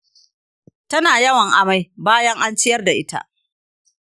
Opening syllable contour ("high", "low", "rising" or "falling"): high